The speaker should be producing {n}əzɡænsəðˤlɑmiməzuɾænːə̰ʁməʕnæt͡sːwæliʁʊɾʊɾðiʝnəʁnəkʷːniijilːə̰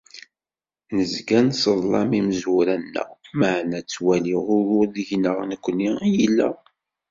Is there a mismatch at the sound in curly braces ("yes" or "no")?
no